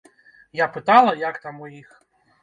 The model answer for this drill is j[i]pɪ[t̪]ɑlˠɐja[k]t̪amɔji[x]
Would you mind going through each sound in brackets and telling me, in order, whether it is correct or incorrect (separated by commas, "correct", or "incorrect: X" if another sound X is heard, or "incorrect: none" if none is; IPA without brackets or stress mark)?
incorrect: a, correct, correct, correct